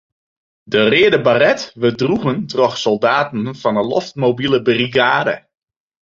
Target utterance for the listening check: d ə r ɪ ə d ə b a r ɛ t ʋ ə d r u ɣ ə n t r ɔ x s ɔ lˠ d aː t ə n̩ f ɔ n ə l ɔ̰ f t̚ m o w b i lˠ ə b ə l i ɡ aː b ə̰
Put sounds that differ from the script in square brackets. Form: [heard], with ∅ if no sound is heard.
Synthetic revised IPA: d ə r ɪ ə d ə b a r ɛ t ʋ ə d r u ɣ ə n t r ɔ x s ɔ lˠ d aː t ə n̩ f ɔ n ə l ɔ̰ f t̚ m o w b i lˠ ə b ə [r] i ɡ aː [d] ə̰